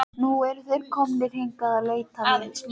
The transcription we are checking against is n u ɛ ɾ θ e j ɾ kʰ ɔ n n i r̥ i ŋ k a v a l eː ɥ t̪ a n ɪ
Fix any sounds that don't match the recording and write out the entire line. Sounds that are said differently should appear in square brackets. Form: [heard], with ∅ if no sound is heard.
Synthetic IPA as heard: n u ɛ ɾ θ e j ɾ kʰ ɔ [m] n [ɪ] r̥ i ŋ k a [ð] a l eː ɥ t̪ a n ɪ